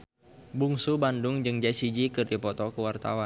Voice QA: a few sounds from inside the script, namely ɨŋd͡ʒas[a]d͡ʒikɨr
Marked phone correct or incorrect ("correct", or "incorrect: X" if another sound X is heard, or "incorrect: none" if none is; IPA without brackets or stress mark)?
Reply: incorrect: i